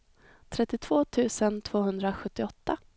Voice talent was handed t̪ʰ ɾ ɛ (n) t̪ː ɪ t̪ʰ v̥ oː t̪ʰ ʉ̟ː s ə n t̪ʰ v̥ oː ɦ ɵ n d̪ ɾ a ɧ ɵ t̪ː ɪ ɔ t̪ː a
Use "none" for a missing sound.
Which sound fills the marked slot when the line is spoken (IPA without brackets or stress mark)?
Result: none